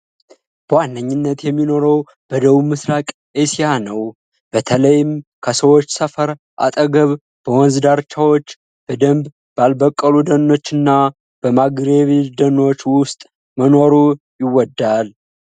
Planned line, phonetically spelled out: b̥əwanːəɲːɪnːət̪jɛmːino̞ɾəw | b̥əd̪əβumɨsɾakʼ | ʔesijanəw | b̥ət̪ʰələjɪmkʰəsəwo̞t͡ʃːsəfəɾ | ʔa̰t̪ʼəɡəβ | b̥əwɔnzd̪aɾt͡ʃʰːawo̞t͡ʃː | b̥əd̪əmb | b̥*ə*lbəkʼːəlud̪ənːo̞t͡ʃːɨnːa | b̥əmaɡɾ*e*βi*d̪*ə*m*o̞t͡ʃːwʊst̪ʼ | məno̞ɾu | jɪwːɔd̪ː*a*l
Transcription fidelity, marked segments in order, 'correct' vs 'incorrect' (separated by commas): incorrect, correct, correct, incorrect, correct